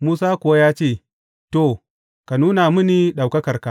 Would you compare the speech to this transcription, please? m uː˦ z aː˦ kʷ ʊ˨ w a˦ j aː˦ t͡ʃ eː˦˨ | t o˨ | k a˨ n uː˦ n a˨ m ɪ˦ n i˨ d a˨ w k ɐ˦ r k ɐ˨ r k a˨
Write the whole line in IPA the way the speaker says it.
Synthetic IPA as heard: m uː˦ s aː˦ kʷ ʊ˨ w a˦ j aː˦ t͡ʃ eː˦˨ | t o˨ | k a˨ n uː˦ n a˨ m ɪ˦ n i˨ ɗ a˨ w k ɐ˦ k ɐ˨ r k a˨